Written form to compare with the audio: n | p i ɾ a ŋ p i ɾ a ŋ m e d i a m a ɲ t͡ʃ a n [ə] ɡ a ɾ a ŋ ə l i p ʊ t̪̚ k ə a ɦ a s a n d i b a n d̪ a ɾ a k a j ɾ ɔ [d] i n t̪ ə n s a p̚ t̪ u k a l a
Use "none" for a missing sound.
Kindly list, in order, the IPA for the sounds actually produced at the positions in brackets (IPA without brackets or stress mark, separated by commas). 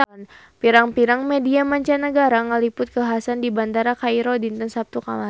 ə, d